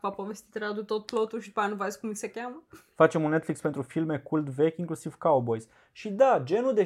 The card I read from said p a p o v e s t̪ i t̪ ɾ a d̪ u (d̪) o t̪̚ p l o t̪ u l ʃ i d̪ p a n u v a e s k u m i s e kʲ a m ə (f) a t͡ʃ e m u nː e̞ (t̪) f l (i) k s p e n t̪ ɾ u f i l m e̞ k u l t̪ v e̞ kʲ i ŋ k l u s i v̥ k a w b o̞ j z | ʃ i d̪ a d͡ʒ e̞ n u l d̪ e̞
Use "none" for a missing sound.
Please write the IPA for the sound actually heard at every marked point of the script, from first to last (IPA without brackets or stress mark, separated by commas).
t̪, f, t̪, i